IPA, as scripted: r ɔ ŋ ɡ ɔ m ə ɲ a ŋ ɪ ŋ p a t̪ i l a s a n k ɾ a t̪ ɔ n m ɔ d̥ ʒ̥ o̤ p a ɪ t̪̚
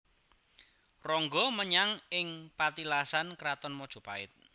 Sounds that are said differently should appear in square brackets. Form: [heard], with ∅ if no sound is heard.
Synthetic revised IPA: r ɔ ŋ ɡ ɔ m ə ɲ a ŋ ɪ ŋ p a t̪ i l a s a n k ɾ a t̪ ɔ n m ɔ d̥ ʒ̥ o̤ p a ɪ t̪̚